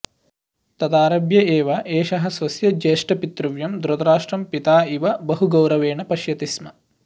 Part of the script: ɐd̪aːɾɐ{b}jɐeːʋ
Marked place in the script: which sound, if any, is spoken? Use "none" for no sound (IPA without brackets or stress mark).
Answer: b